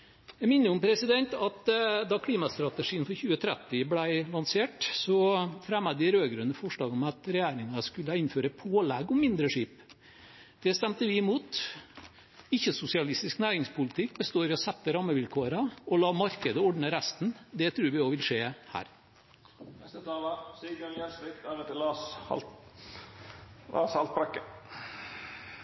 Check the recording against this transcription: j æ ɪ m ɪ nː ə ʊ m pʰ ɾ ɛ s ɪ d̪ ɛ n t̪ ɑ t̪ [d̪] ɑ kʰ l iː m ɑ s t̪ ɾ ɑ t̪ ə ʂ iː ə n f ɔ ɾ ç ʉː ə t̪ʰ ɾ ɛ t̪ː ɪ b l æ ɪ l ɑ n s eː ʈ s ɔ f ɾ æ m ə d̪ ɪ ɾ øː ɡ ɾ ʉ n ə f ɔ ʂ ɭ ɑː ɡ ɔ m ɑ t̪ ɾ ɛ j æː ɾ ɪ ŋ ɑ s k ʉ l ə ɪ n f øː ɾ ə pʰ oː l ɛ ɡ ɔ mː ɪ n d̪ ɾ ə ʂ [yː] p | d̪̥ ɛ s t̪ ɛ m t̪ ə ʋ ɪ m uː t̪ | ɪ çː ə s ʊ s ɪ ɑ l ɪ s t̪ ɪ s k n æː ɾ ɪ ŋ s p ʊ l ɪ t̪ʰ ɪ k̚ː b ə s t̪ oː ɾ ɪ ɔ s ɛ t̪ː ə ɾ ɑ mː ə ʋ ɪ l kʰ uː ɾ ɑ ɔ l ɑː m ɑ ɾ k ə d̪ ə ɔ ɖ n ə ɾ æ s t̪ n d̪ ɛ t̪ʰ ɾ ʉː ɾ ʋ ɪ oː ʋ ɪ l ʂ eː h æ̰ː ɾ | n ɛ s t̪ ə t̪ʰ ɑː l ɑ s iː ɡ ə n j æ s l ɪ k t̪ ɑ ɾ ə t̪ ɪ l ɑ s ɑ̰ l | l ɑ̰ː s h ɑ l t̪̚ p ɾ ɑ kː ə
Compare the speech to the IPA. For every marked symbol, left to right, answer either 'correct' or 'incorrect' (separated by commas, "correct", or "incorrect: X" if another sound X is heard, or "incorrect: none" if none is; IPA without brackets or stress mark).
correct, incorrect: iː